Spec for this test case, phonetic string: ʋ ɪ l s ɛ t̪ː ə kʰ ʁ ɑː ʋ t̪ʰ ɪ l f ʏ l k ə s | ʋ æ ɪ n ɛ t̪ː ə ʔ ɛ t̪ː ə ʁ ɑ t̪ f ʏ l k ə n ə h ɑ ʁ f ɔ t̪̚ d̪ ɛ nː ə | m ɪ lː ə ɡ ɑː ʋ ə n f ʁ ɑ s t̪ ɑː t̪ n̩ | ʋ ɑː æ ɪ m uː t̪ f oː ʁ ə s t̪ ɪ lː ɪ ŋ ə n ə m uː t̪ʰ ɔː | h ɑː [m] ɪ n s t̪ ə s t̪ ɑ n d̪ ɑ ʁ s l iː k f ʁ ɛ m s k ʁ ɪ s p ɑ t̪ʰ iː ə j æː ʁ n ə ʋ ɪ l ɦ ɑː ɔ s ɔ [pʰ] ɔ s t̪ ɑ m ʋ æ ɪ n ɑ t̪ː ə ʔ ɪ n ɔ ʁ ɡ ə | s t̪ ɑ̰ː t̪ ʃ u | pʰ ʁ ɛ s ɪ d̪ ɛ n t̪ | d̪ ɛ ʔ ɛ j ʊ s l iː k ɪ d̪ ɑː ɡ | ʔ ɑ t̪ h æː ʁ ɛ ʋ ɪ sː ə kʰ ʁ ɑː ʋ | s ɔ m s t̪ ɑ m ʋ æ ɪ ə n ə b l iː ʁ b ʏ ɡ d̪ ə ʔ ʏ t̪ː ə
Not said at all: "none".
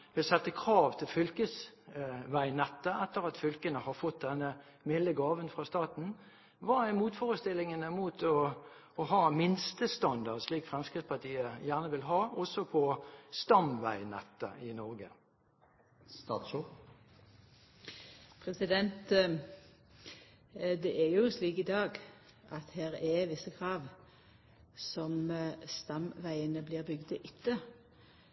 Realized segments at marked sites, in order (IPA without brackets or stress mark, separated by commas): m, pʰ